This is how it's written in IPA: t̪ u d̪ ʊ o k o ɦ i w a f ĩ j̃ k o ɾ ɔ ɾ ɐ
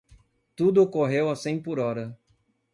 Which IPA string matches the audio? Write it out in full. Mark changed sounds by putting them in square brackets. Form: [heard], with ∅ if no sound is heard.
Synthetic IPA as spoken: t̪ u d̪ ʊ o k o ɦ [e] w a [s] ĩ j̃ [p] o ɾ ɔ ɾ ɐ